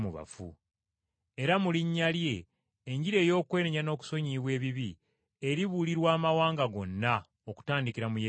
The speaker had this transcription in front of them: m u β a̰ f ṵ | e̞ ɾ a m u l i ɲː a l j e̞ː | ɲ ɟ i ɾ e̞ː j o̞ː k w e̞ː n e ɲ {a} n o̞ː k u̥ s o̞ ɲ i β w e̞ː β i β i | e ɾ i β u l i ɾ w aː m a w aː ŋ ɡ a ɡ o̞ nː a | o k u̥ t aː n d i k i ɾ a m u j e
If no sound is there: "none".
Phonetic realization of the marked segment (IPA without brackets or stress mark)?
a